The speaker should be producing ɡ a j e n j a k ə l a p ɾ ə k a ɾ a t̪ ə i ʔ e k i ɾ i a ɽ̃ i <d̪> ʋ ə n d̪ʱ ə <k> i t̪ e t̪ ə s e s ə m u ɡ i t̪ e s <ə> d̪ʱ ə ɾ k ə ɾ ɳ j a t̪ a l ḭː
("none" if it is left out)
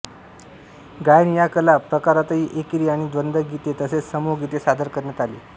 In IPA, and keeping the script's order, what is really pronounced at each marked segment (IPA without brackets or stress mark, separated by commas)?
d̪, ɡ, a